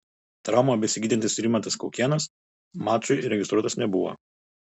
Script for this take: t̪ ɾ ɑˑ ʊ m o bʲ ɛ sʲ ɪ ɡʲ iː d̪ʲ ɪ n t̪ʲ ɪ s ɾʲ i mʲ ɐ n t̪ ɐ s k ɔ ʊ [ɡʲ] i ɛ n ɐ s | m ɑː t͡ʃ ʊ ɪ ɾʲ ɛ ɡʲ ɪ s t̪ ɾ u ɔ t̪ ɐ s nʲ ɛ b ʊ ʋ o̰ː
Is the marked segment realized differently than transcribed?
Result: yes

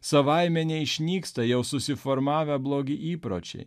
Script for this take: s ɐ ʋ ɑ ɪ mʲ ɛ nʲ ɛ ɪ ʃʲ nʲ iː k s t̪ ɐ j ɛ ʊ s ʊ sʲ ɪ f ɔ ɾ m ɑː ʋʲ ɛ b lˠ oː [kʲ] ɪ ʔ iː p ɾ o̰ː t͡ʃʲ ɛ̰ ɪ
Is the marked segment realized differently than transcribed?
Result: yes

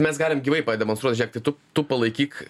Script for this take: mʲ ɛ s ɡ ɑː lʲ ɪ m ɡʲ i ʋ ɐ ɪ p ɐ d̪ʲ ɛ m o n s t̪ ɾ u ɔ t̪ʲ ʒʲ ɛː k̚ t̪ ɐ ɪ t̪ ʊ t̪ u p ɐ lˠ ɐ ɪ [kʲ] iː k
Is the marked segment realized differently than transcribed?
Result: no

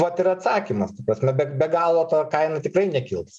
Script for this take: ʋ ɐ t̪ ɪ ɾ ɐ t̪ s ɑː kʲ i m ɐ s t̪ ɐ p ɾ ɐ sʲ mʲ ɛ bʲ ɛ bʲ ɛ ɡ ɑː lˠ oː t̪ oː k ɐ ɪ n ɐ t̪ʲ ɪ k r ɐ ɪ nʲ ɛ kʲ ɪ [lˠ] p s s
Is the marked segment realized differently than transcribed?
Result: no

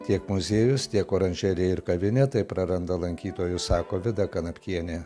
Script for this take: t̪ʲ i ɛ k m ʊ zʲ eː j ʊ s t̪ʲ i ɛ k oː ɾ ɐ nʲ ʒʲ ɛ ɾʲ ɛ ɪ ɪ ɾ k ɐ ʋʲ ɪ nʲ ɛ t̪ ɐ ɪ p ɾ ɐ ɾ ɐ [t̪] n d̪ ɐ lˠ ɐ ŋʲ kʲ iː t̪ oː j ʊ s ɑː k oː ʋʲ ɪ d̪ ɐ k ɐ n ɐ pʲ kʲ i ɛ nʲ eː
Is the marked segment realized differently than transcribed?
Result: yes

